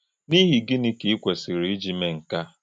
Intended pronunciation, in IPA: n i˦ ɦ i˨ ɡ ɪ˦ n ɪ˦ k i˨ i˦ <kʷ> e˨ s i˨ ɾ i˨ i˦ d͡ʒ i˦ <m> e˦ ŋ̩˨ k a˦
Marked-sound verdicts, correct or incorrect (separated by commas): correct, correct